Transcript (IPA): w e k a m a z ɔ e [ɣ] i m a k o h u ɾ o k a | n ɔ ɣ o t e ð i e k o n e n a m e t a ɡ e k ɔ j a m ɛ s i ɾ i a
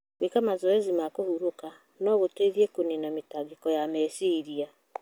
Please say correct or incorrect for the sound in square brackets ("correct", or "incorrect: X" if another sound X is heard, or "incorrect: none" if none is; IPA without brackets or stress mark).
incorrect: z